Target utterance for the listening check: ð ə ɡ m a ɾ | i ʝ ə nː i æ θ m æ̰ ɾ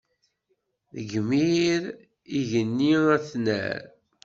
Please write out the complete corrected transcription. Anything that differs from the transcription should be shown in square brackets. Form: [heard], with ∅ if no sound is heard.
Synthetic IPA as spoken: ð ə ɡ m [i] ɾ | i ʝ ə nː i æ θ [n] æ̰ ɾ